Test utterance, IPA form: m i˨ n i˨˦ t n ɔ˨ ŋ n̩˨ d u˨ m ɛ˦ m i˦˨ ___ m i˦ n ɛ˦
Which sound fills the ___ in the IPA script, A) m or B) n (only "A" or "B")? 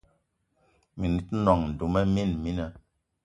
B